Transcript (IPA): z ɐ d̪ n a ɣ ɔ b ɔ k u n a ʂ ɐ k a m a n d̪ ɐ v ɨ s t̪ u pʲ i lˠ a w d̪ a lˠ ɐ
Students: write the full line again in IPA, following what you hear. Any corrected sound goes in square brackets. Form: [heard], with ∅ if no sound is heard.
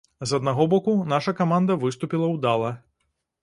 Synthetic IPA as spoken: z ɐ d̪ n a ɣ ɔ b ɔ k u n a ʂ ɐ k a m a n d̪ ɐ v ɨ s t̪ u pʲ i lˠ [ɐ] w d̪ a lˠ ɐ

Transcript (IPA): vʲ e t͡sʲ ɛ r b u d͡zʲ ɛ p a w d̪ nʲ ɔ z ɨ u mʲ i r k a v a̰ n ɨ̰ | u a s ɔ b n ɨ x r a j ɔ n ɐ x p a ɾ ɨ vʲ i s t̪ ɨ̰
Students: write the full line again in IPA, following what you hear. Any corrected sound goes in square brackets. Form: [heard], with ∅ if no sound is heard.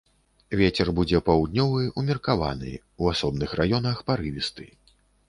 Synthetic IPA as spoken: vʲ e t͡sʲ ɛ r b u d͡zʲ ɛ p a w d̪ nʲ ɔ [v] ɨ u mʲ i r k a v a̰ n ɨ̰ | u a s ɔ b n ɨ x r a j ɔ n ɐ x p a ɾ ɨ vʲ i s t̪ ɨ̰

